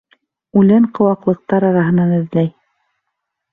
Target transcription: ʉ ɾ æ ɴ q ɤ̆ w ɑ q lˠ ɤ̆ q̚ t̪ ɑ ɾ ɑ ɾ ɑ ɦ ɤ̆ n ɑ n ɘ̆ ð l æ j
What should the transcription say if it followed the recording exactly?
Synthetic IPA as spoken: ʉ l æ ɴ q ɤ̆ w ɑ q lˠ ɤ̆ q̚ t̪ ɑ ɾ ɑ ɾ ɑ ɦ ɤ̆ n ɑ n ɘ̆ ð l æ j